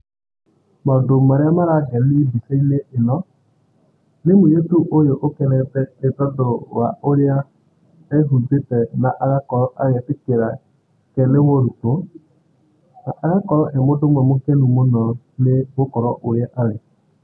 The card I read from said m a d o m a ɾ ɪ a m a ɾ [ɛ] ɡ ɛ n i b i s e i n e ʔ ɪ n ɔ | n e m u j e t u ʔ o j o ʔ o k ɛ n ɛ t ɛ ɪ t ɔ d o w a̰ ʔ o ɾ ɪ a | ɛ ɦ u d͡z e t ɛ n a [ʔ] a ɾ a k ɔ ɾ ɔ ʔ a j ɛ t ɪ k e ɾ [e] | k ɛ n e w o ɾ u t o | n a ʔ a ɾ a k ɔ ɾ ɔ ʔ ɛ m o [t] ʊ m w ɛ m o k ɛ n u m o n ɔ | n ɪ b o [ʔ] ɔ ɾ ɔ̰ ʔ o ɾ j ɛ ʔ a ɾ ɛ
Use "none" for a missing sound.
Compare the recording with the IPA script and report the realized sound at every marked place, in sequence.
a, ʔ, a, d, k

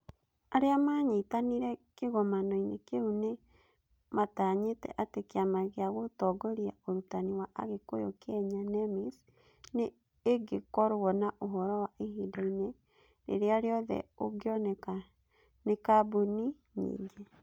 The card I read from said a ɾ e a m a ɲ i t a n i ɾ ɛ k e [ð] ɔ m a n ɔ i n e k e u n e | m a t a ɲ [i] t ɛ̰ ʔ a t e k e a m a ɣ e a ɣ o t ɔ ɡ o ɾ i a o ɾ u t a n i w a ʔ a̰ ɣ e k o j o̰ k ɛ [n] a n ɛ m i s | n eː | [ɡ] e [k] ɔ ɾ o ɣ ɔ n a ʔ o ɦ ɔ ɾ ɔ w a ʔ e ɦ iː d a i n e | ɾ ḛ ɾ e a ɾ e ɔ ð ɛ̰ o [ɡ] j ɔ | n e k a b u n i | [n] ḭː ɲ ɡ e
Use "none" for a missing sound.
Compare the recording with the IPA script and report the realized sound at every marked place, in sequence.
ɣ, e, ɲ, ɡ, k, ɡ, ɲ

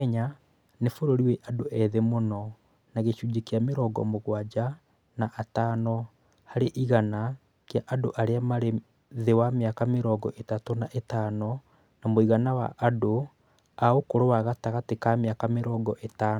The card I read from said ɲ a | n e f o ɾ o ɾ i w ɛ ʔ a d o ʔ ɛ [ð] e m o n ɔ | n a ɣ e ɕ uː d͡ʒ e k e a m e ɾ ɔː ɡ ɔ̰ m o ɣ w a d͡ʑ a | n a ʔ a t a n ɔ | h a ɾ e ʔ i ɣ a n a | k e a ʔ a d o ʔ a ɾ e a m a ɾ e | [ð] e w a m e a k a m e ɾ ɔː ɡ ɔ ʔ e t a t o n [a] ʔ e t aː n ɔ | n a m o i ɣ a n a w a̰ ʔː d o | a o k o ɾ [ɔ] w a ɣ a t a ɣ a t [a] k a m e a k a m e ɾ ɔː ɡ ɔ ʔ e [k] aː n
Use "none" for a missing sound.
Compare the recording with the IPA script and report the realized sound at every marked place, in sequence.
ð, ð, a, o, e, t

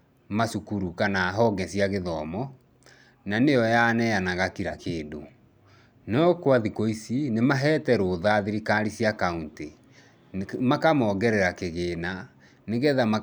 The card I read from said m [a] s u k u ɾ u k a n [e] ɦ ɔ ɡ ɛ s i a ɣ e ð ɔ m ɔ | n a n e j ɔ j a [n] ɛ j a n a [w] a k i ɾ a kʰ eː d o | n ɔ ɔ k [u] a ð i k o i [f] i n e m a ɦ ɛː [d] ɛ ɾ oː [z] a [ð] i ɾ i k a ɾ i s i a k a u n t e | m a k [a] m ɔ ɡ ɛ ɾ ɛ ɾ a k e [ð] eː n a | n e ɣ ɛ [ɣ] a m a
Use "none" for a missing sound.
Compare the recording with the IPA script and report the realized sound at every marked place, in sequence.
a, a, n, ɣ, w, s, t, ð, ð, a, ɣ, ð

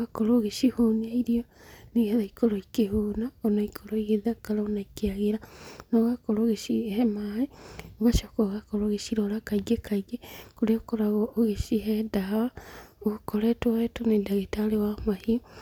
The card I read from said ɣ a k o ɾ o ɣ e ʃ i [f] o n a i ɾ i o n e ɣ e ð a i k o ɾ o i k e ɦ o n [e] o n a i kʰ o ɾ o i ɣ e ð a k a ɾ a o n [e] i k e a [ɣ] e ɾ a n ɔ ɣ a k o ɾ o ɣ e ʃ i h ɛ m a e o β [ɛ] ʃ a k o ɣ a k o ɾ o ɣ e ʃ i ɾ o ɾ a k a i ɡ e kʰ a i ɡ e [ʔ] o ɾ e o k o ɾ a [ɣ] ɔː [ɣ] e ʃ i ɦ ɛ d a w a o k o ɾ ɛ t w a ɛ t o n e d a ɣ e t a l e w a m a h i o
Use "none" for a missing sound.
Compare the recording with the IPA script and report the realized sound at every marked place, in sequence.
h, a, a, ɣ, a, k, ɣ, ɣ

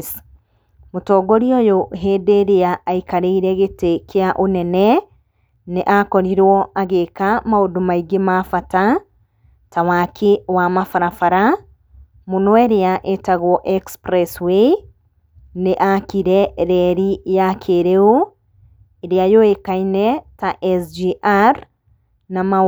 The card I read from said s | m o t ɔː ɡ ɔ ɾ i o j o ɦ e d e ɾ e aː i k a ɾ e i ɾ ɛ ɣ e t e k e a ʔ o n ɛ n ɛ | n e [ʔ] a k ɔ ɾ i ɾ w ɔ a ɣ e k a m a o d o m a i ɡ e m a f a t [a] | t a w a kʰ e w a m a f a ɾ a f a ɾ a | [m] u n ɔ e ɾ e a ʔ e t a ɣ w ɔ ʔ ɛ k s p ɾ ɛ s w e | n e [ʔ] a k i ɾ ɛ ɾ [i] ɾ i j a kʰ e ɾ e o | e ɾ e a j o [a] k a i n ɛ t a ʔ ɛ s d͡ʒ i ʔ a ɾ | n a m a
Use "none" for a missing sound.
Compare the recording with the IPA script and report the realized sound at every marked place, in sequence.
ʔ, a, m, ʔ, ɛ, e

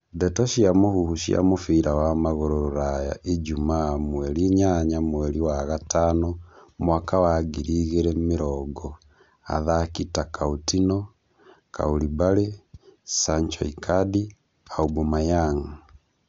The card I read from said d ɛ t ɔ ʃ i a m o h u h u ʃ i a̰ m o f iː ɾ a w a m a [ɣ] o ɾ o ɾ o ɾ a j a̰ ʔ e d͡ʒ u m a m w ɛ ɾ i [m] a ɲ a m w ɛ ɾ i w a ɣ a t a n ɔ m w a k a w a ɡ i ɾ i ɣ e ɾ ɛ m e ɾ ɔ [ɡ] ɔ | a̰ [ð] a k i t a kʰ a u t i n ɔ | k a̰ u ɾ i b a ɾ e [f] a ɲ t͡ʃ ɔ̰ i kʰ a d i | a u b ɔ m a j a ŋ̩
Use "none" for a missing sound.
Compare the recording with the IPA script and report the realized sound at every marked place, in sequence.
ɣ, ɲ, ɡ, ð, s

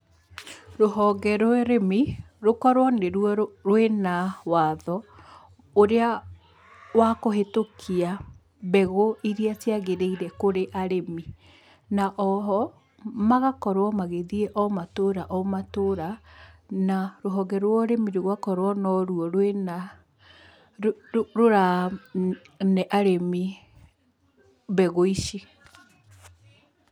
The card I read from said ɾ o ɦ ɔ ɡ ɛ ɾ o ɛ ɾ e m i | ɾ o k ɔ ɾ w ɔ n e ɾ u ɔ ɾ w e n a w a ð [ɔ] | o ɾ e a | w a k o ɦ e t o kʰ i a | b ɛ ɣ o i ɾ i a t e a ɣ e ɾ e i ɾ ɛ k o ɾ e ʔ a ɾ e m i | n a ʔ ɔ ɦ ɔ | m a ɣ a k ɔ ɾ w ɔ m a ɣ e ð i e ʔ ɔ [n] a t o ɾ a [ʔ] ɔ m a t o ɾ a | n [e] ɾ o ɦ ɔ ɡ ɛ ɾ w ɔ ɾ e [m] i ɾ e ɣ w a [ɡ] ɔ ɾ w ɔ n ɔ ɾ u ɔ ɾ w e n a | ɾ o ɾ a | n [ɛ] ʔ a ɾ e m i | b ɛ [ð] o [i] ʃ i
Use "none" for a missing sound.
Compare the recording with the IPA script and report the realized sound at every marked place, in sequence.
ɔ, m, ʔ, a, m, k, ɛ, ɣ, i

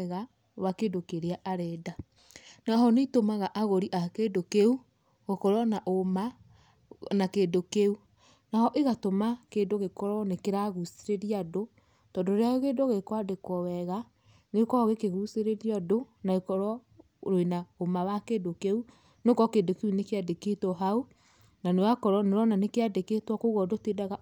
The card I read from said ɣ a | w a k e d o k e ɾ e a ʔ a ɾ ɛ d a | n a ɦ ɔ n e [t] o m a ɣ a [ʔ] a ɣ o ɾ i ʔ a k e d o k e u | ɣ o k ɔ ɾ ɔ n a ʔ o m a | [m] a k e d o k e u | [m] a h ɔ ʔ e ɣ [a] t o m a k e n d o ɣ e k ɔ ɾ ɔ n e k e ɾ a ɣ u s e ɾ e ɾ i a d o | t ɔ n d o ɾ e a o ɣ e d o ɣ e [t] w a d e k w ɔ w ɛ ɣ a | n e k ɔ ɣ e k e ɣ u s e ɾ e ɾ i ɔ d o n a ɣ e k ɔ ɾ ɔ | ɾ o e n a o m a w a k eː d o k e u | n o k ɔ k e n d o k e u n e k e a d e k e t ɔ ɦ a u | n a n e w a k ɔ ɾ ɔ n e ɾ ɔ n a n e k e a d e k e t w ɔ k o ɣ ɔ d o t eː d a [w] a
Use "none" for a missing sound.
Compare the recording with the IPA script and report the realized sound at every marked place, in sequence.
t, ʔ, n, n, a, k, ɣ

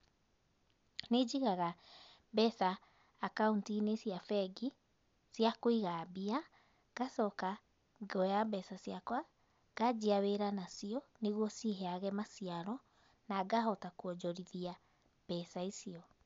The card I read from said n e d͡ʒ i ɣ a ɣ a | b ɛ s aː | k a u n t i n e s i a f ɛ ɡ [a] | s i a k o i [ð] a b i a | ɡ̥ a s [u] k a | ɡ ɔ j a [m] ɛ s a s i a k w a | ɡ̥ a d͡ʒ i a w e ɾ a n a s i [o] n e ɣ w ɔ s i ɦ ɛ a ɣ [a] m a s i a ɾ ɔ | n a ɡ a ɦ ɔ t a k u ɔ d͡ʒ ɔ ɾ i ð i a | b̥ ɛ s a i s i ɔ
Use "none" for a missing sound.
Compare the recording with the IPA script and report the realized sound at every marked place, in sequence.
i, ɣ, ɔ, b, ɔ, ɛ

